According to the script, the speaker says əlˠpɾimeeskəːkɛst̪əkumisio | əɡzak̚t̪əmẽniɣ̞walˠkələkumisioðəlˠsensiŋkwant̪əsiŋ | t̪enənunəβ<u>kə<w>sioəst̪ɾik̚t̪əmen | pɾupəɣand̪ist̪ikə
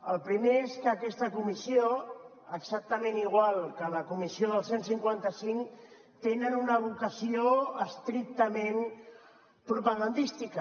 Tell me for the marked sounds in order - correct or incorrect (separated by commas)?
correct, incorrect